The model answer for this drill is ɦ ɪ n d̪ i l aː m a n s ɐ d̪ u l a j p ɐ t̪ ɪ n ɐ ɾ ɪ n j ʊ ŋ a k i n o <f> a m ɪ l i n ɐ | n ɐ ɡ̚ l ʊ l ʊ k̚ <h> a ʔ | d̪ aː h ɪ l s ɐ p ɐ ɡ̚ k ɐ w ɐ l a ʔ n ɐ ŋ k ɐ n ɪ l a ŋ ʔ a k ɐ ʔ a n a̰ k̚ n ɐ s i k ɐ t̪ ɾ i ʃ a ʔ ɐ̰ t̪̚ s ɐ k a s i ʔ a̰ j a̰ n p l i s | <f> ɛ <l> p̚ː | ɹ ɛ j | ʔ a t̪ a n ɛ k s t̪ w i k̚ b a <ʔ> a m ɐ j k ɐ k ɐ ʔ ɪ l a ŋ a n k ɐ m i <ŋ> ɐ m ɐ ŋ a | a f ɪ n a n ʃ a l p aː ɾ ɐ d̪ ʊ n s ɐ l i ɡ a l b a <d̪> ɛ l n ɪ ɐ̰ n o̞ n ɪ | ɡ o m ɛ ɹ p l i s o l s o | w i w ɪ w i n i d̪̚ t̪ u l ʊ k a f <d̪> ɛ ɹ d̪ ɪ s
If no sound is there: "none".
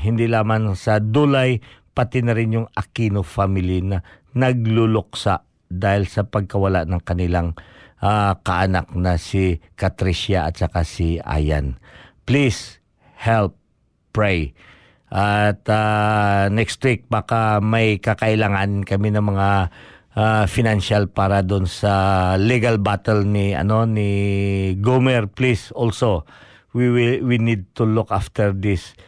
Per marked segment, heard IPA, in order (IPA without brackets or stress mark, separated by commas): f, s, h, l, k, n, t̪, t̪